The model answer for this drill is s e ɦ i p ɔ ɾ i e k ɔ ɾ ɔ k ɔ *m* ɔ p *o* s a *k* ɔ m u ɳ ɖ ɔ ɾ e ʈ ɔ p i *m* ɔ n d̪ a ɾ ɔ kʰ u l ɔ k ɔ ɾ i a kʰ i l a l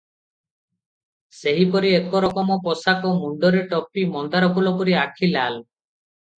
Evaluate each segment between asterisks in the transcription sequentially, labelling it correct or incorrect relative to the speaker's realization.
correct, incorrect, correct, correct

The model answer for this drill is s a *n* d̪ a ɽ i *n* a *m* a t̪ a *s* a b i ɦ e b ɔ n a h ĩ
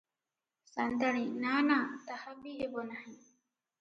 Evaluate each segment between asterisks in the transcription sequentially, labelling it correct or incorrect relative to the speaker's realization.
correct, correct, incorrect, incorrect

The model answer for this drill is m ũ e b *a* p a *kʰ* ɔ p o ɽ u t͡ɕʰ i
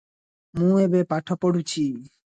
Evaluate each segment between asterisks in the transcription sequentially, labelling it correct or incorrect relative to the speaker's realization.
incorrect, incorrect

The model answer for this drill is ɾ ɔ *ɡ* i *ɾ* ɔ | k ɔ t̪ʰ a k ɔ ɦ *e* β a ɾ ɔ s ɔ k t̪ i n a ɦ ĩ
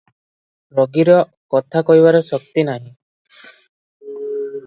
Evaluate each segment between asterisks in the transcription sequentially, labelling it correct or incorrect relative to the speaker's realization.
correct, correct, incorrect

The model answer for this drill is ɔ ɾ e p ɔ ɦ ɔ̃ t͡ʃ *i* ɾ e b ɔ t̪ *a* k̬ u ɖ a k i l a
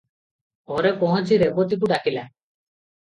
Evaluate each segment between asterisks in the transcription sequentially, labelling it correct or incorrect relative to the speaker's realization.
correct, incorrect

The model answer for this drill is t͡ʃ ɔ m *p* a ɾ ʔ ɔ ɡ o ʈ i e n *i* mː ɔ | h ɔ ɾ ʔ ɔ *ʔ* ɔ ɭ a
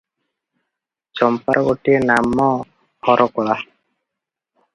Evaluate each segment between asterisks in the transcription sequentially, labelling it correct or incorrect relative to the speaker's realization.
correct, incorrect, incorrect

